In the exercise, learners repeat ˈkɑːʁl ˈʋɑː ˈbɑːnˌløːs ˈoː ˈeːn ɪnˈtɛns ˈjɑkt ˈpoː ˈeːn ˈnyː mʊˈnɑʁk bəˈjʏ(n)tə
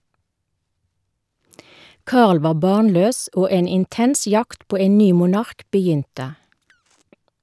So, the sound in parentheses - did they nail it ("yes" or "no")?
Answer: yes